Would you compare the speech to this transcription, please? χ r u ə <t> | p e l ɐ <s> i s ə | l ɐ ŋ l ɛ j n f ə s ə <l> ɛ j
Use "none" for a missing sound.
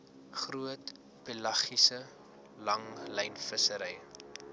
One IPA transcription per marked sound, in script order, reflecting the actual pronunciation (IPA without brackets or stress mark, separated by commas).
t, χ, ɾ